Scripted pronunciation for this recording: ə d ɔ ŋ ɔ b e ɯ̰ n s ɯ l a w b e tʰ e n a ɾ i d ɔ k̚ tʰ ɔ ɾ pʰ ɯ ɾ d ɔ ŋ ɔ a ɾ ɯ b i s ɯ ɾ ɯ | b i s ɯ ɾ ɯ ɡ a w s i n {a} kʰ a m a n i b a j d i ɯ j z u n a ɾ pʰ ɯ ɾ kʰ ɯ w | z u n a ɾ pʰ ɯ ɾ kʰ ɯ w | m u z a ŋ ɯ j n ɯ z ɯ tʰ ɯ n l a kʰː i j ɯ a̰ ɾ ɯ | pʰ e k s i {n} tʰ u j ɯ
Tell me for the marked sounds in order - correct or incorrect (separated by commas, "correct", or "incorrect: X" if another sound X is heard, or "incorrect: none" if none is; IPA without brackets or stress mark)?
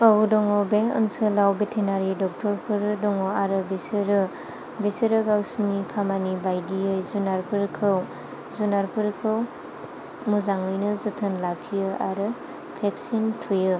incorrect: i, correct